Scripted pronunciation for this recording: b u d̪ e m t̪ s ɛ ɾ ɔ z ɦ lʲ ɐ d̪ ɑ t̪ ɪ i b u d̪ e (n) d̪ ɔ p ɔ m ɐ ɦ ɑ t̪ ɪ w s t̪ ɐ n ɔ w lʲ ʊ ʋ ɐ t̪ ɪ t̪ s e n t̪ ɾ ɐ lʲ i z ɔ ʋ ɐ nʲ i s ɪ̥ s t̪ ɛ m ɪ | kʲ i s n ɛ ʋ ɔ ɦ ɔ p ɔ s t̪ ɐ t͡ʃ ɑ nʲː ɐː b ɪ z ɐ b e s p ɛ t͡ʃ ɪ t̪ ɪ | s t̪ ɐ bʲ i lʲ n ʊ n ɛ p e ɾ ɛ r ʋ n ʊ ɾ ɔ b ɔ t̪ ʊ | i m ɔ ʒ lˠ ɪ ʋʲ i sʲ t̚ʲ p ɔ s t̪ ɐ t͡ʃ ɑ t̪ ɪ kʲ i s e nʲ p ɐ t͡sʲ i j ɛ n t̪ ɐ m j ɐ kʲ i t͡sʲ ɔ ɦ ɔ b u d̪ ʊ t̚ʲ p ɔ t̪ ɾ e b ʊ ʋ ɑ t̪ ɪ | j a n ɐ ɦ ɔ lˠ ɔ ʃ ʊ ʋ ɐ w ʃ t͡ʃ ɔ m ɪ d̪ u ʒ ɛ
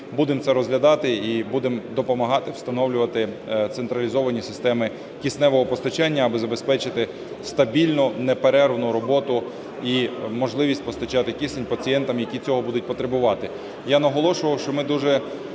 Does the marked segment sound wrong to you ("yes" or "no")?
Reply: yes